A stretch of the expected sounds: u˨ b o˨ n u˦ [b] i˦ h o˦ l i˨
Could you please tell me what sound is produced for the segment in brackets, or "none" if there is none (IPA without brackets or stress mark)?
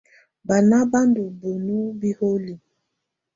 b